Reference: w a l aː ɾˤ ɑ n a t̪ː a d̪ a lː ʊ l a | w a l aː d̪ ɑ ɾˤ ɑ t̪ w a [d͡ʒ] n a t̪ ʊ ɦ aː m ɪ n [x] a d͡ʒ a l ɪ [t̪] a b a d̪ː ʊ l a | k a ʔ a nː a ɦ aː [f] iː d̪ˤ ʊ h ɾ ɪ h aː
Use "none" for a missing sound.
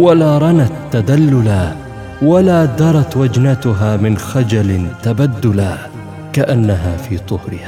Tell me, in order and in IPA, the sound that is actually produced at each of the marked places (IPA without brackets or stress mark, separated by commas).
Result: d͡ʒ, x, t̪, f